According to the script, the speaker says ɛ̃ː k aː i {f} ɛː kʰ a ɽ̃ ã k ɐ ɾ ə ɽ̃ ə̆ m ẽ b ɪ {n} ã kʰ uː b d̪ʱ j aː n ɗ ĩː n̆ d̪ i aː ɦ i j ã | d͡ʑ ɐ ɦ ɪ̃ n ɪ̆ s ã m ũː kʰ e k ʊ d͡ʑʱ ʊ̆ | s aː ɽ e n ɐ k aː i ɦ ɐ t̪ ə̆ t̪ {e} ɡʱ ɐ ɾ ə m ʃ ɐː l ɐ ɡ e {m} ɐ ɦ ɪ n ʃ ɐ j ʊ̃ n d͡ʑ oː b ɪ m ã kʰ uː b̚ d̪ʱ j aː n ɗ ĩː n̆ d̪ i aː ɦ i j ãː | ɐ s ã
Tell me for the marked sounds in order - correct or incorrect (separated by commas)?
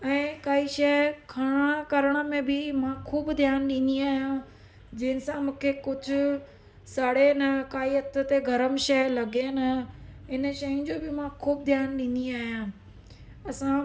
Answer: incorrect, incorrect, correct, incorrect